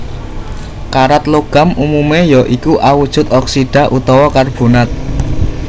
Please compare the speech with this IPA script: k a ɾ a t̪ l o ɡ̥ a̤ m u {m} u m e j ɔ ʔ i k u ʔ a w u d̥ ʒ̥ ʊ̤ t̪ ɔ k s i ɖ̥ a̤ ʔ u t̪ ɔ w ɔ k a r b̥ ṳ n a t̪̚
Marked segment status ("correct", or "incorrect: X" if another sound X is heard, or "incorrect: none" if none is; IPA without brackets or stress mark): correct